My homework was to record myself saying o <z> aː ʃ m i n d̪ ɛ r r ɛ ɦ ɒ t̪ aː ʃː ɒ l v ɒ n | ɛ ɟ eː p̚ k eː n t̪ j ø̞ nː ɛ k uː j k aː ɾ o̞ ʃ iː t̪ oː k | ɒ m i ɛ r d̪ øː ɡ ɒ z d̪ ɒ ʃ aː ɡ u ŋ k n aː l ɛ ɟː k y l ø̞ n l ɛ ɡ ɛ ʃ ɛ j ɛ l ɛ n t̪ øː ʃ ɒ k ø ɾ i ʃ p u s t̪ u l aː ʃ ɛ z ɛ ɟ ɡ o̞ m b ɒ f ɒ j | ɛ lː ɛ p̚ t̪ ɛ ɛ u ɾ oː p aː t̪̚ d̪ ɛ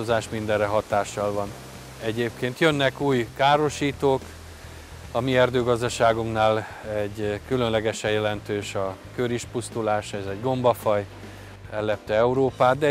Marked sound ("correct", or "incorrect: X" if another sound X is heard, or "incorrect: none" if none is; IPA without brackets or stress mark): correct